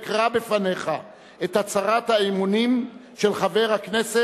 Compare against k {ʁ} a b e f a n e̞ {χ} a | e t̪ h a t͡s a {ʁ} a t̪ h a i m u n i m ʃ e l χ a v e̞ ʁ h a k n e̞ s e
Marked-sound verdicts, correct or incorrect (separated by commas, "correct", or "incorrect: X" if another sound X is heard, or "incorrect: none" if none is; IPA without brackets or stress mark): correct, correct, correct